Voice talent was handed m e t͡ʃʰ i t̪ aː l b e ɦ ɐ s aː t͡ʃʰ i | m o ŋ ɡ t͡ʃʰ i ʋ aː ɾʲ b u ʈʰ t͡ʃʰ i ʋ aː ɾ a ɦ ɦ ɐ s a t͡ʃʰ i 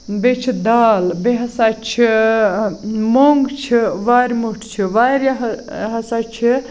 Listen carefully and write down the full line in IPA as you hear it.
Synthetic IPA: b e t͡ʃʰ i d̪ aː l b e ɦ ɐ s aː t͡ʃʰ i | m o ŋ ɡ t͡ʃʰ i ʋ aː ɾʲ m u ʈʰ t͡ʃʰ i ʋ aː ɾ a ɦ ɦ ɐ s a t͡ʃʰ i